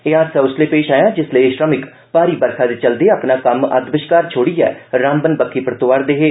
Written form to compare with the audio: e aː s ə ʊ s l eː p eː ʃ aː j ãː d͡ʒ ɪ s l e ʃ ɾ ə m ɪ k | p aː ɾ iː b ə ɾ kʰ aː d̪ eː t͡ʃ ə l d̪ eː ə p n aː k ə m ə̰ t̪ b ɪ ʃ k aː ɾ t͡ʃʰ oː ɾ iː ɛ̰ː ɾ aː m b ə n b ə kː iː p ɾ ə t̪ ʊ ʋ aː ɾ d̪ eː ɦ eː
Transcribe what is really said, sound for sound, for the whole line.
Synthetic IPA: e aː s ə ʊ s l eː p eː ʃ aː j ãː d͡ʒ ɪ s l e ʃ ɾ ə m ɪ k | p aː ɾ iː b ə ɾ kʰ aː d̪ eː t͡ʃ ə l d̪ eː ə p n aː k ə m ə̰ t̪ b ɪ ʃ k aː ɾ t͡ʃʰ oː ɽ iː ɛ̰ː ɾ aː m b ə n b ə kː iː p ɾ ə t̪ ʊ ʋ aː ɾ d̪ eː ɦ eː

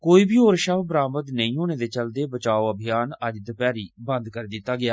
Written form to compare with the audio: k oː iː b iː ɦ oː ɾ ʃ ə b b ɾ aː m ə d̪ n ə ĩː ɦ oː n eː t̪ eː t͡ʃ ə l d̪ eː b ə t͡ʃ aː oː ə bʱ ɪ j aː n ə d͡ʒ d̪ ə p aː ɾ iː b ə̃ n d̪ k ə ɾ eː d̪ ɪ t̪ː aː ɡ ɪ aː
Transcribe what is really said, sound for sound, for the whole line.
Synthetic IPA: k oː iː b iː ɦ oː ɾ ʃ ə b b ɾ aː m ə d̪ n ə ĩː ɦ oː n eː d̪ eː t͡ʃ ə l d̪ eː b ə t͡ʃ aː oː ə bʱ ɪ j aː n ə d͡ʒ d̪ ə p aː ɾ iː b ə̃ n d̪ k ə ɾ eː d̪ ɪ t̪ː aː ɡ ɪ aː

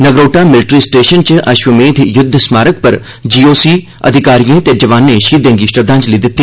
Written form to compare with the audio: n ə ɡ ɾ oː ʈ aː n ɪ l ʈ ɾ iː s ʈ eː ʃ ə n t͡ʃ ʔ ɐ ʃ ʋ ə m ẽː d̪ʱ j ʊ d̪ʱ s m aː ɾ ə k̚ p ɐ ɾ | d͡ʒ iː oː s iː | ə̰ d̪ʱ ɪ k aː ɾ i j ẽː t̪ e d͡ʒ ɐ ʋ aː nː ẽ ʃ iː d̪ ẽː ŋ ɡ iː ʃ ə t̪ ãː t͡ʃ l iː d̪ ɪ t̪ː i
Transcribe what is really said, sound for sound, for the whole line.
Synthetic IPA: n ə ɡ ɾ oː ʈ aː m ɪ l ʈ ɾ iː s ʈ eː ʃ ə n t͡ʃ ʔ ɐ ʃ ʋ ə m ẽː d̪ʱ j ʊ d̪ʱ s m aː ɾ ə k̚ p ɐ ɾ | d͡ʒ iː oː s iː | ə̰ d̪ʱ ɪ k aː ɾ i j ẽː t̪ e d͡ʒ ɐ ʋ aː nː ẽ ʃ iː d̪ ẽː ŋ ɡ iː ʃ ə d̪ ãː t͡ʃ l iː d̪ ɪ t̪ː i

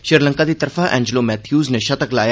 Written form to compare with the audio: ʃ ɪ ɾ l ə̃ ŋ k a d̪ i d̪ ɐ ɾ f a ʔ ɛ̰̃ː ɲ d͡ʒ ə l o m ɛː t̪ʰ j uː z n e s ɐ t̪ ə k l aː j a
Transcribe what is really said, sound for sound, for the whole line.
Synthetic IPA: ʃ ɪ ɾ l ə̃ ŋ k a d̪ i t̪ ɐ ɾ f a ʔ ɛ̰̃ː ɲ d͡ʒ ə l o m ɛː t̪ʰ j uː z n e ʃ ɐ t̪ ə k l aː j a

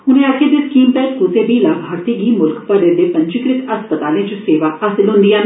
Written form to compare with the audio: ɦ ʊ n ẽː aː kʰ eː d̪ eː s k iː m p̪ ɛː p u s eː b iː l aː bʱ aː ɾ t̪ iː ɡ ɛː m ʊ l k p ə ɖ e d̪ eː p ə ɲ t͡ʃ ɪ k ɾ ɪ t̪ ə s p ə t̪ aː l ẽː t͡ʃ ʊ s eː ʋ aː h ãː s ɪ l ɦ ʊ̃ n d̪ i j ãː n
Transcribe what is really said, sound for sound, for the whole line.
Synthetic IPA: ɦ ʊ n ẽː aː kʰ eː d̪ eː s k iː m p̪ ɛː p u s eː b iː l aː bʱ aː ɾ t̪ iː ɡ iː m ʊ l k p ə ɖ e d̪ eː p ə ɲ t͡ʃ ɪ k ɾ ɪ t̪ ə s p ə t̪ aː l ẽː t͡ʃ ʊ s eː ʋ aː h aː s ɪ l ɦ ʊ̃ n d̪ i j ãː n

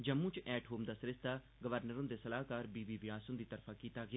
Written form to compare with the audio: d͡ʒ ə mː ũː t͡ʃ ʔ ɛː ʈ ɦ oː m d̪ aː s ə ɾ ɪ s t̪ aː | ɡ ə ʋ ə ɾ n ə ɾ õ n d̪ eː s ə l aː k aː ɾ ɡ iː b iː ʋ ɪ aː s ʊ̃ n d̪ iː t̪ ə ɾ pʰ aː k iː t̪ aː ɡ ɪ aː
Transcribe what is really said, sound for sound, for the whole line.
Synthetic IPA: d͡ʒ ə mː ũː t͡ʃ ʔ ɛː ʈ ɦ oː m d̪ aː s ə ɾ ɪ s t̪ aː | ɡ ə ʋ ə ɾ n ə ɾ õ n d̪ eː s ə l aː k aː ɾ b iː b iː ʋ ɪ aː s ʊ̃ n d̪ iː t̪ ə ɾ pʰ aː k iː t̪ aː ɡ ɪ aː

